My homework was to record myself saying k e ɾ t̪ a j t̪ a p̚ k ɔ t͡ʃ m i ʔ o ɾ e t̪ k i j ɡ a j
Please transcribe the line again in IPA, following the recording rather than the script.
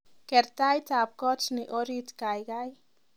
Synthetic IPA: k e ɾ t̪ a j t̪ a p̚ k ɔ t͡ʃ n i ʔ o ɾ i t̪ k a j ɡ a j